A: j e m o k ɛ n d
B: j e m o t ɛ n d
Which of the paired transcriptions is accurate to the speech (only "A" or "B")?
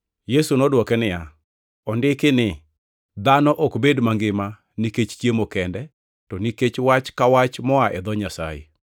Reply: A